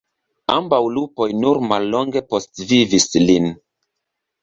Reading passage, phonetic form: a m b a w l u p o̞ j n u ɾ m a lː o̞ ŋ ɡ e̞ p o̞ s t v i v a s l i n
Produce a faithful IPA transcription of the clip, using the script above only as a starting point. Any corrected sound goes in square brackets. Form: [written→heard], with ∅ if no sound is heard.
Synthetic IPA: a m b a w l u p o̞ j n u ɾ m a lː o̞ ŋ ɡ e̞ p o̞ s t v i v [a→i] s l i n